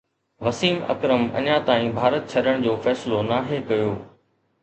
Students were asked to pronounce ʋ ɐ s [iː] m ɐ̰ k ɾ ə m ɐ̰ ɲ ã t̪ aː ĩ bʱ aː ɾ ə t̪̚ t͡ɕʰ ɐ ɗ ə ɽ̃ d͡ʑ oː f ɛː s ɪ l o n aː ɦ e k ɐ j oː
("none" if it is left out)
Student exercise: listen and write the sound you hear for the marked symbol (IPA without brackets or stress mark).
iː